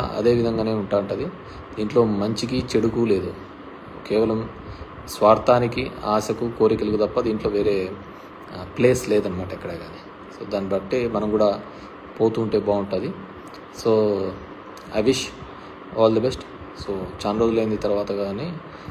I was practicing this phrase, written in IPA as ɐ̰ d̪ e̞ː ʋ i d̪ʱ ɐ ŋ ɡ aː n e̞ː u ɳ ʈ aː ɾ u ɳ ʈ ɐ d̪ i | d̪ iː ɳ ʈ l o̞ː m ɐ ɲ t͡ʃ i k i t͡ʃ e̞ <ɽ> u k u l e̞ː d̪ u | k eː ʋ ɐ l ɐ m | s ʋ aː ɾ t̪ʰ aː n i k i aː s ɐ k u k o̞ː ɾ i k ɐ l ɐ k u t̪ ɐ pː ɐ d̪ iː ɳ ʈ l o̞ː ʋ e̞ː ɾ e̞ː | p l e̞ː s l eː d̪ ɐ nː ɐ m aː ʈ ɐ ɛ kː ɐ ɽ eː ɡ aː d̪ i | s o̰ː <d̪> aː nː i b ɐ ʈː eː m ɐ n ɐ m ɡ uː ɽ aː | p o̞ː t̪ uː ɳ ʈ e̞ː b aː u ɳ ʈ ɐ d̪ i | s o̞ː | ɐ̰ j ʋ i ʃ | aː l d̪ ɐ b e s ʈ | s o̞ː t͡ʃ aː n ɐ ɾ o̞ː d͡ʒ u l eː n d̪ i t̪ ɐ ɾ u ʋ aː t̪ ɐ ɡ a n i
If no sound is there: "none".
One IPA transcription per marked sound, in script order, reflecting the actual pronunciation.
ɽ, d̪

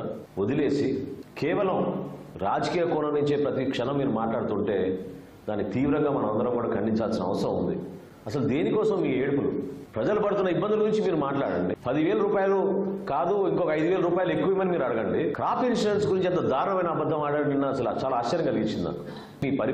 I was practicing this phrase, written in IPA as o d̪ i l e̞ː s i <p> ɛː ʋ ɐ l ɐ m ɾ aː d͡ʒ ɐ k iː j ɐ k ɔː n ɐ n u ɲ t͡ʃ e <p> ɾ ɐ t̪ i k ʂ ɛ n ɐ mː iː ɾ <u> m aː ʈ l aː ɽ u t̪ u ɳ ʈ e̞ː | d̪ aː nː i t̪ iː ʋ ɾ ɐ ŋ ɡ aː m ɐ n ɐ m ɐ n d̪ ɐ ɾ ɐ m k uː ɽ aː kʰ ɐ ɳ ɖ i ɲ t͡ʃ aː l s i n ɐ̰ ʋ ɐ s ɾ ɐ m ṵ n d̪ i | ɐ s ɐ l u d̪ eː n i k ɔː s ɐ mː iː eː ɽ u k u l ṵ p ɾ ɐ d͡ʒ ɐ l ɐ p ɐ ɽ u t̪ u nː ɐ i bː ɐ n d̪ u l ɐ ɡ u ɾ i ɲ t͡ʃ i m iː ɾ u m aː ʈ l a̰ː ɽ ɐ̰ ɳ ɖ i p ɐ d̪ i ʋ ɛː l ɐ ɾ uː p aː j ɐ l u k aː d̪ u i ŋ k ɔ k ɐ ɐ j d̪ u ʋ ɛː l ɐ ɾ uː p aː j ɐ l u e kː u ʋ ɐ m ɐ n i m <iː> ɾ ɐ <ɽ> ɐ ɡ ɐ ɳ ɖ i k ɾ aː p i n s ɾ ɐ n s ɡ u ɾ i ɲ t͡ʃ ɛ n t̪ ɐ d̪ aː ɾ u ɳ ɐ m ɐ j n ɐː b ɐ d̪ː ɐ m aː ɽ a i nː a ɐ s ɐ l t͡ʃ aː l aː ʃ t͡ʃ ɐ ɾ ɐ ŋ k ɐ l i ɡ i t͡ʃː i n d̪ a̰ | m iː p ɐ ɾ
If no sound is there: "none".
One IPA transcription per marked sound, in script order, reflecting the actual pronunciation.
k, p, u, iː, ɽ

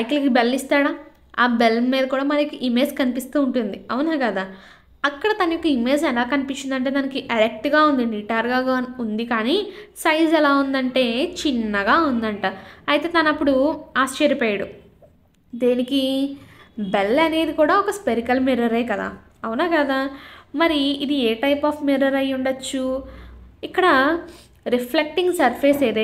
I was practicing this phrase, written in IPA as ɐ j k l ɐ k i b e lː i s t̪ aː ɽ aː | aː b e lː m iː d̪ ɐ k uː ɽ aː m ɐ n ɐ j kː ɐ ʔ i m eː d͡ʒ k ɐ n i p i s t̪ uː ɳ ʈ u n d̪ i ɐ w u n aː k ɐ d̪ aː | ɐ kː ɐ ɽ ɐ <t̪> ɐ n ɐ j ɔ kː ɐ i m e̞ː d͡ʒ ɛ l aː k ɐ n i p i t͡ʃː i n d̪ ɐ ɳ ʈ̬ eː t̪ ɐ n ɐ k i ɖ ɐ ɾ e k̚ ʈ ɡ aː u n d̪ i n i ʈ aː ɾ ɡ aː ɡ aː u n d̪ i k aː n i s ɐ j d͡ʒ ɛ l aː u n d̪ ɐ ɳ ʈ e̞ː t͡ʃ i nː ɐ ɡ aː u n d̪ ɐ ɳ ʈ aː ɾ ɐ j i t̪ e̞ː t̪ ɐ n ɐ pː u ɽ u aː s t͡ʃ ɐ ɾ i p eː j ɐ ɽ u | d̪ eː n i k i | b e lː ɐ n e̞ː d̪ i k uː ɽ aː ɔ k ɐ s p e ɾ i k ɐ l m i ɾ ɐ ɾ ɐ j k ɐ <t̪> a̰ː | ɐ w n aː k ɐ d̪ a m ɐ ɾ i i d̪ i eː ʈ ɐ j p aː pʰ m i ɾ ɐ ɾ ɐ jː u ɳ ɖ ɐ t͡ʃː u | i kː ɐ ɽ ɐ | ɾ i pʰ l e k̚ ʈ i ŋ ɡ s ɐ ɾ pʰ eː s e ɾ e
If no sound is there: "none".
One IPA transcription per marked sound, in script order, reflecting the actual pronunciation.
t̪, d̪

